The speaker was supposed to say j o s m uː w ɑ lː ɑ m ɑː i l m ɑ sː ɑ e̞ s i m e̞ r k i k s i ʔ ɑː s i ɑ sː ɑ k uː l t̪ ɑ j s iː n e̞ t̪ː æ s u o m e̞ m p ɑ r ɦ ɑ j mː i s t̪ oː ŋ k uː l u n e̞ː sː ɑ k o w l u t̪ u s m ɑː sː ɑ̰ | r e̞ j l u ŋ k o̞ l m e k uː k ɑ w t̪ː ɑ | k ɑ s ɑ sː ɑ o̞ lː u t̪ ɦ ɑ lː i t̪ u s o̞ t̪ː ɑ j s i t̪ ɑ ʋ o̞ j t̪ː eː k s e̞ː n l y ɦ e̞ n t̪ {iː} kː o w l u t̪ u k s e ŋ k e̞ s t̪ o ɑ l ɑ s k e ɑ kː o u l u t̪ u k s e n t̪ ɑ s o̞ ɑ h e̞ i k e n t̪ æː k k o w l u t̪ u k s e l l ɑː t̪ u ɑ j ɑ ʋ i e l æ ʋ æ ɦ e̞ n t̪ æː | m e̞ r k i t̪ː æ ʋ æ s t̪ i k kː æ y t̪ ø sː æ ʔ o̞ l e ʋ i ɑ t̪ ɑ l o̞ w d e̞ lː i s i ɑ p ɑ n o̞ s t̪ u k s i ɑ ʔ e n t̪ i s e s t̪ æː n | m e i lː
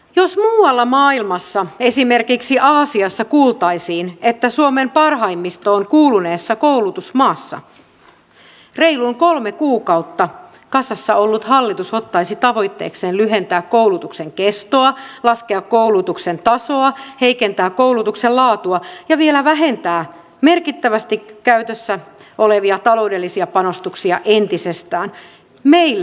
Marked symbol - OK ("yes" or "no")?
no